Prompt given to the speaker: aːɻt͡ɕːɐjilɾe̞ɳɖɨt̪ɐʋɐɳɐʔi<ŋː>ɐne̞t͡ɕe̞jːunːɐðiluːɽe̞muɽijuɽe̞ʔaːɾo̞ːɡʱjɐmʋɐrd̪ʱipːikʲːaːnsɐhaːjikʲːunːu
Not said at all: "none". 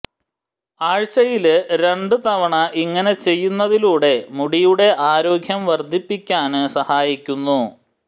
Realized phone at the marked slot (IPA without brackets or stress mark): ŋː